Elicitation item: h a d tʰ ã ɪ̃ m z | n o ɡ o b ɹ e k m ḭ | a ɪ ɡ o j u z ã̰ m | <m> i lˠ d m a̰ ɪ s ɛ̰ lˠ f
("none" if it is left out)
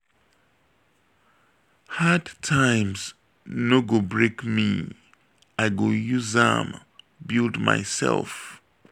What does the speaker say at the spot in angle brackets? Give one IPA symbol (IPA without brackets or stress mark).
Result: b